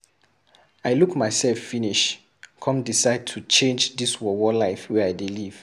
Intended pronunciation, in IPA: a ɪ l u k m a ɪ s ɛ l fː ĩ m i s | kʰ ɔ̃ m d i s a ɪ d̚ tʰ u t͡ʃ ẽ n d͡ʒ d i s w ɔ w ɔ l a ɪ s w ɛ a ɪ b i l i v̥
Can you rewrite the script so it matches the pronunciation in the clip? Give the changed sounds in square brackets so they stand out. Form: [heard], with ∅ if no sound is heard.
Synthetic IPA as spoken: a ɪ l u k m a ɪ s ɛ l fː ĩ [n] i [ʃ] | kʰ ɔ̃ m d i s a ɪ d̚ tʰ u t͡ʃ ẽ n d͡ʒ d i s w ɔ w ɔ l a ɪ [f] w ɛ a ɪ [d] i l i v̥